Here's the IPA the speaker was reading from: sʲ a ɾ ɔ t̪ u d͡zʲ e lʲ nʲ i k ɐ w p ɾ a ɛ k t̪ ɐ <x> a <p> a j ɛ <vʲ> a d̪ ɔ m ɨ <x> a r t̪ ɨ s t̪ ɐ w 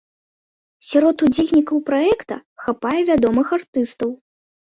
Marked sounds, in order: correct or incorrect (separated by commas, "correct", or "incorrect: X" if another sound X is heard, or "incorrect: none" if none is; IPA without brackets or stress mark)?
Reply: correct, correct, correct, correct